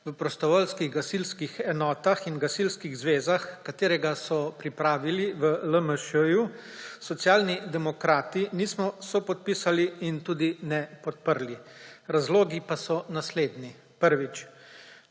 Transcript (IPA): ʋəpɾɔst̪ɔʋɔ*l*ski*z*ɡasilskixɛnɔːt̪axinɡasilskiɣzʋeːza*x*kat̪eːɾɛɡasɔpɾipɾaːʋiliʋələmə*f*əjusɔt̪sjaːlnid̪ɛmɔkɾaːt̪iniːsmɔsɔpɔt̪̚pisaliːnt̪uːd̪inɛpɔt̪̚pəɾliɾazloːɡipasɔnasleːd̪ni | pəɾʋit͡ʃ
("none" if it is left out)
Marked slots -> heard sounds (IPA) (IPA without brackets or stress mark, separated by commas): l, ɣ, x, ʃ